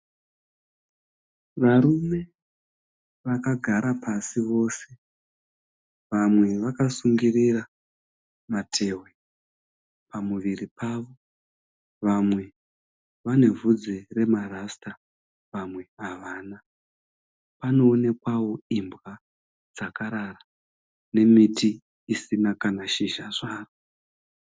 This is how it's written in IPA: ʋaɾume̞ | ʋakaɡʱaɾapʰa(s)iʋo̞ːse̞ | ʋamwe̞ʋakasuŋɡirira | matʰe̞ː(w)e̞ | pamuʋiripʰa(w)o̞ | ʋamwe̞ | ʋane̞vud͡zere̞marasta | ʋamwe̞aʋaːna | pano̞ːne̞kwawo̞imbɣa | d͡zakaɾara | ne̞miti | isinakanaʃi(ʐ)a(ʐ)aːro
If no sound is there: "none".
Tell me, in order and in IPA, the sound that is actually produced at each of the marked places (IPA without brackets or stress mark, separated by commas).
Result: s, w, ʋ, ʒ, ʐ